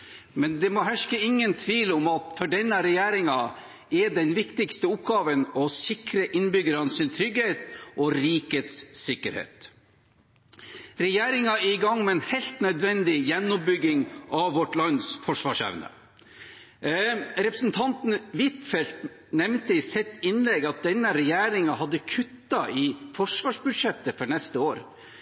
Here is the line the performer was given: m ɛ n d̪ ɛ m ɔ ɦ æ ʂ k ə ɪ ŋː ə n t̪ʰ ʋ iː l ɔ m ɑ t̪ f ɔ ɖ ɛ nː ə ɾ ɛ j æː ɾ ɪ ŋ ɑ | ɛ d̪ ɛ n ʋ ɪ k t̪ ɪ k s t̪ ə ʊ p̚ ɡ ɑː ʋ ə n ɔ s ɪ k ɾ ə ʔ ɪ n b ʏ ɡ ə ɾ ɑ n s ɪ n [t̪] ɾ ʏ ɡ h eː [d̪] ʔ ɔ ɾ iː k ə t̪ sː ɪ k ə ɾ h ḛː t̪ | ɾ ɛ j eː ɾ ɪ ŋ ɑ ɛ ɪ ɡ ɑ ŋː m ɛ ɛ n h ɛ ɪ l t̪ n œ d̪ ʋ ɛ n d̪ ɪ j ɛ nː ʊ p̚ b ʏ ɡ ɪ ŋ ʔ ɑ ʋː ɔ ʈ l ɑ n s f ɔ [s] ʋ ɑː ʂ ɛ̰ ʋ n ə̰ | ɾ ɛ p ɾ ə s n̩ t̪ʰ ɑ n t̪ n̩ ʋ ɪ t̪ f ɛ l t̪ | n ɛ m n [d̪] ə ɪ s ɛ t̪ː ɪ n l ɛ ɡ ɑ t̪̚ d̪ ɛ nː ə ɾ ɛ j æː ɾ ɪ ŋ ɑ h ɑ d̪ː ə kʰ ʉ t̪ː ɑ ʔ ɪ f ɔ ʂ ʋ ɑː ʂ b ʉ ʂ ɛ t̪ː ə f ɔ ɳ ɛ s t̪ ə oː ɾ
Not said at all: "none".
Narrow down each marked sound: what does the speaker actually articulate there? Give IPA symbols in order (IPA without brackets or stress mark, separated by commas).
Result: t̪ʰ, t̪, ʂ, t̪